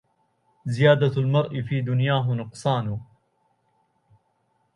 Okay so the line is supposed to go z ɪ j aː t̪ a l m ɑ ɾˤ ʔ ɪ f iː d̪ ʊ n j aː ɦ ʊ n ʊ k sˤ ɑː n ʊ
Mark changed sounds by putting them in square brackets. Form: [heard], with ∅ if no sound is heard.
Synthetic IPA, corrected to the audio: z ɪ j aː [d̪] a l m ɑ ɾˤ ʔ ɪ f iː d̪ ʊ n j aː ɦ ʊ n ʊ [q] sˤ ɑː n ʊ